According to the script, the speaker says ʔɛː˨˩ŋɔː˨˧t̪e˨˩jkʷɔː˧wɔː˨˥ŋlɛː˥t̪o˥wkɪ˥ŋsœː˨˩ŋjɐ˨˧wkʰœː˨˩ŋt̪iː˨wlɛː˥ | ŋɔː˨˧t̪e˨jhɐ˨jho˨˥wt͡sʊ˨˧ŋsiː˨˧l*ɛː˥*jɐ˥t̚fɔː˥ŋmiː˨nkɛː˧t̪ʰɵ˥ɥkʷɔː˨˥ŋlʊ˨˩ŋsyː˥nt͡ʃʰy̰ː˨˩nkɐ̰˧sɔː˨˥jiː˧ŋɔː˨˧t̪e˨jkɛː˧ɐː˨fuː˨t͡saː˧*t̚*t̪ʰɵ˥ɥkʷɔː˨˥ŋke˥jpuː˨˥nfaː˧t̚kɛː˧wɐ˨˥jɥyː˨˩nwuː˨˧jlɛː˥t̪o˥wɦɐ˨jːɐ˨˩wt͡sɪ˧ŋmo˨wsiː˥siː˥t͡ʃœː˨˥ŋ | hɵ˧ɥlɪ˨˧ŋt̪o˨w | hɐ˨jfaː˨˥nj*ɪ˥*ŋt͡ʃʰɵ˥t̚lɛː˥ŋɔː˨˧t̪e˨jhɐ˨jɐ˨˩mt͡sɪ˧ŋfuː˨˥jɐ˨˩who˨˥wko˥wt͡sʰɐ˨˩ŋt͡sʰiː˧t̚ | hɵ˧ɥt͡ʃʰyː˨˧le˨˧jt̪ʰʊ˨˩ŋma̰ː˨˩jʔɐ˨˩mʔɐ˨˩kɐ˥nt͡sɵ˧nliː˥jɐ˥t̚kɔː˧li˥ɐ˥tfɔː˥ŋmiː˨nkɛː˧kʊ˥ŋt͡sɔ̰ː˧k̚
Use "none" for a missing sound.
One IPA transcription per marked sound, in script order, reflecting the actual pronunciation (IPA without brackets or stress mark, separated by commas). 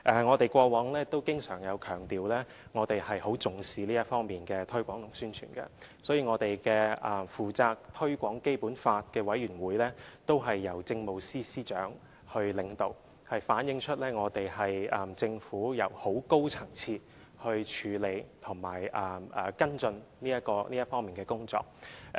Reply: iː˥, k̚, ɪ˧